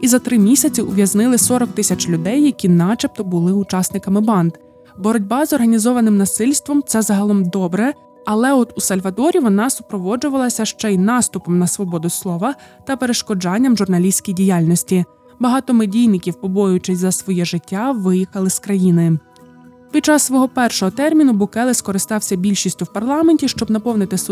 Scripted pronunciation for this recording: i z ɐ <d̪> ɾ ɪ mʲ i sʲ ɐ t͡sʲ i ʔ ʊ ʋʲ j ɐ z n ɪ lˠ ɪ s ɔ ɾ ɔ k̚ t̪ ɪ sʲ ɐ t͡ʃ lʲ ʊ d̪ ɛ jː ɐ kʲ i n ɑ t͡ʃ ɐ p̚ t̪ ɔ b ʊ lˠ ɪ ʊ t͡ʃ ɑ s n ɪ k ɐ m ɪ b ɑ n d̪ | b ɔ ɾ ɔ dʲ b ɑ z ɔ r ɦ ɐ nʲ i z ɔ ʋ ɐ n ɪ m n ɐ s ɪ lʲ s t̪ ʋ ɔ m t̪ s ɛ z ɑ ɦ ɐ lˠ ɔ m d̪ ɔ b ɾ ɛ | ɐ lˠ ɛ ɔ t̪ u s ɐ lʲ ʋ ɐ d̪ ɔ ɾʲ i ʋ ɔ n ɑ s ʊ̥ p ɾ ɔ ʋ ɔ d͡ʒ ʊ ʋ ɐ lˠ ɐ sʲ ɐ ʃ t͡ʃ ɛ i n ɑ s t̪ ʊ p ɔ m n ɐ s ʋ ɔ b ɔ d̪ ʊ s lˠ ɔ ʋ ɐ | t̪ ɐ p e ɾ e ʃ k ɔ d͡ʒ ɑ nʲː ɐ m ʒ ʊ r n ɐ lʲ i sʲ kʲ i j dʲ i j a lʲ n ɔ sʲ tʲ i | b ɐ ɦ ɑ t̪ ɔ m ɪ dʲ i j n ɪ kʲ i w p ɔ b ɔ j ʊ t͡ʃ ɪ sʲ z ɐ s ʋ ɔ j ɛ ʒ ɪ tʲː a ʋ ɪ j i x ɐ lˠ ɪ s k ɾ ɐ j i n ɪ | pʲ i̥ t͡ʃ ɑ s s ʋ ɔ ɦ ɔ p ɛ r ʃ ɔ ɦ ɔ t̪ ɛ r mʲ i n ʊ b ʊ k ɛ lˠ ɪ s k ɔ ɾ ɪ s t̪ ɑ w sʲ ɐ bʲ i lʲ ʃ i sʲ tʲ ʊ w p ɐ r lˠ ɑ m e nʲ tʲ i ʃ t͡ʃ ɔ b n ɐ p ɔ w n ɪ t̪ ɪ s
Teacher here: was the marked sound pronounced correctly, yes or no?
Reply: no